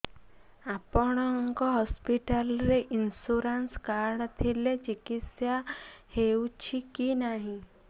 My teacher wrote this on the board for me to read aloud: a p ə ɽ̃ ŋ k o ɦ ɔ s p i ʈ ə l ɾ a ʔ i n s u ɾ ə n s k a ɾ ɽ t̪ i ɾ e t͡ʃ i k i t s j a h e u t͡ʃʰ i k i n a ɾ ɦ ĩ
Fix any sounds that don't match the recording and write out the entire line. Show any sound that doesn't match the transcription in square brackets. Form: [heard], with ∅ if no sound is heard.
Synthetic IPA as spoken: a p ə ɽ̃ ŋ k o ɦ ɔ s p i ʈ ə l ɾ [e] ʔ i n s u ɾ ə n s k a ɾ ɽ [t̪ʰ] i [l] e t͡ʃ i k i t s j a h e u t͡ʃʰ i k i n a [∅] ɦ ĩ